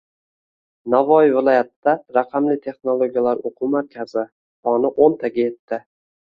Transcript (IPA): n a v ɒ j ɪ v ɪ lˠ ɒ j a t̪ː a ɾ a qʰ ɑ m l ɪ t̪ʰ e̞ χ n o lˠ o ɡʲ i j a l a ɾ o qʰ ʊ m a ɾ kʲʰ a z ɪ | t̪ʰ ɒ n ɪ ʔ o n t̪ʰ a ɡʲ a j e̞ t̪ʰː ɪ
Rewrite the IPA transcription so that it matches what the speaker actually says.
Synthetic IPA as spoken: n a v ɒ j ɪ v ɪ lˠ ɒ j a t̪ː a ɾ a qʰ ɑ m l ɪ t̪ʰ e̞ χ n o lˠ o ɡʲ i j a l a ɾ o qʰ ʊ m a ɾ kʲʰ a z ɪ | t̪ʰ ɒ n ɪ ʔ o n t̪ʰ a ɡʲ a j e̞ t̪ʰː ɪ